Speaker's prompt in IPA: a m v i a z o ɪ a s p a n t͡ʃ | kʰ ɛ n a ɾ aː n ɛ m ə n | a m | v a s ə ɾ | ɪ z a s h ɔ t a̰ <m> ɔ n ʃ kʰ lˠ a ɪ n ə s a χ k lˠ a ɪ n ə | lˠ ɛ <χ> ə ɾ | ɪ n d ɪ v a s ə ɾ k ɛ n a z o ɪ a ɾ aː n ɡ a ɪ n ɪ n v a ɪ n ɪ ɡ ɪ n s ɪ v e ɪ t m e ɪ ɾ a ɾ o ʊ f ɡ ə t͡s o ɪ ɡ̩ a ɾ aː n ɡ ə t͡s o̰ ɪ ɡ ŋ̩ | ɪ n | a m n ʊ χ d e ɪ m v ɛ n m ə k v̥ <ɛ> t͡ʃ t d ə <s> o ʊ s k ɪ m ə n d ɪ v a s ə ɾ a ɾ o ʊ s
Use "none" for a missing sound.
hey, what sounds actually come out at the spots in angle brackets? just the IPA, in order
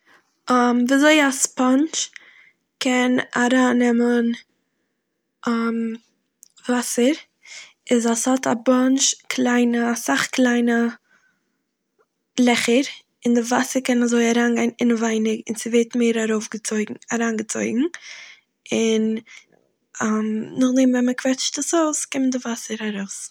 b, χ, ɛ, s

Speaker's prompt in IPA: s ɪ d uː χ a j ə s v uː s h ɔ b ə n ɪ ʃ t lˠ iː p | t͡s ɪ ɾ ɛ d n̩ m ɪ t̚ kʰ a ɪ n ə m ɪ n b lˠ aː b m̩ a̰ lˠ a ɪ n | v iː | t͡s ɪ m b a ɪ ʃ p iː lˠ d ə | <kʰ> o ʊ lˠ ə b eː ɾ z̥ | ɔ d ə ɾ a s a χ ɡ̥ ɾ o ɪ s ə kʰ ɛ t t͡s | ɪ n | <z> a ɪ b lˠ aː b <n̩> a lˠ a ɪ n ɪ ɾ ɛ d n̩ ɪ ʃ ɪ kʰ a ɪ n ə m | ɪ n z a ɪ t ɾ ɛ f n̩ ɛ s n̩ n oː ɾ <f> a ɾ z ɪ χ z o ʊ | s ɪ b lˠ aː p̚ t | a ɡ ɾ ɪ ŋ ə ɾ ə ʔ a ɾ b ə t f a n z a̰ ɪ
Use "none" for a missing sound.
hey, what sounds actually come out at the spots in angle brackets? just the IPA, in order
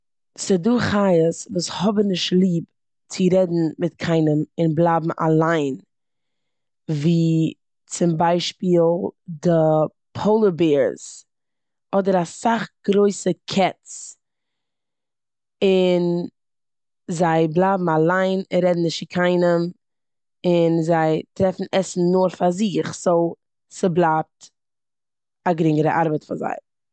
pʰ, z, m̩, f

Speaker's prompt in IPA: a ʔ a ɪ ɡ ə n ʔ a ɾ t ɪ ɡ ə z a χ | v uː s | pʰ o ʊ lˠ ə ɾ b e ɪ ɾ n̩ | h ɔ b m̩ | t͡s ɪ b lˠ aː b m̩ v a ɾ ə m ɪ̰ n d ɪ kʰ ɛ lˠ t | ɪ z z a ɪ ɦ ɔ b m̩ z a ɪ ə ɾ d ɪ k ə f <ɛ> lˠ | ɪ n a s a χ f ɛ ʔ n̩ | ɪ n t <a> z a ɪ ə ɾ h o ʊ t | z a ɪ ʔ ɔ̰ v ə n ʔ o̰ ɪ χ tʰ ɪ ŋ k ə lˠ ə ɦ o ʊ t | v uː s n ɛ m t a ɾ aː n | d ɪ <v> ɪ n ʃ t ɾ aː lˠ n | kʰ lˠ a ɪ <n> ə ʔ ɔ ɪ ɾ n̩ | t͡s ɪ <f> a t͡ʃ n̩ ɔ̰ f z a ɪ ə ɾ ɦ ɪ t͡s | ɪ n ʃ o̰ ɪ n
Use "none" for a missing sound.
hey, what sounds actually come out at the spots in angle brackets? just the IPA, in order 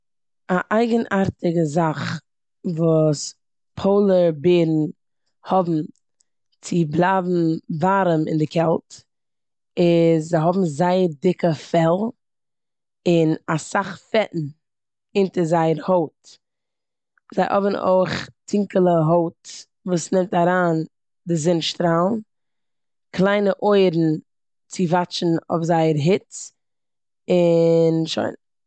ɛ, ə, z, n, v

